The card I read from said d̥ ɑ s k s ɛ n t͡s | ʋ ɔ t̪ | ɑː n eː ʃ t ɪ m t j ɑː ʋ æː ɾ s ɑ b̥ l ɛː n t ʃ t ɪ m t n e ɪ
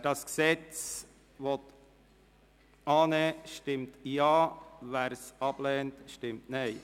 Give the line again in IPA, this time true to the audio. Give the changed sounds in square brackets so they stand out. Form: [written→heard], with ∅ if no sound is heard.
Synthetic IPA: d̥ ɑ s k s ɛ [n→∅] t͡s | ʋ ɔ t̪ | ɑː n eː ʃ t ɪ m t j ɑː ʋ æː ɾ s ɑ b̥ l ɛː n t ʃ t ɪ m t n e ɪ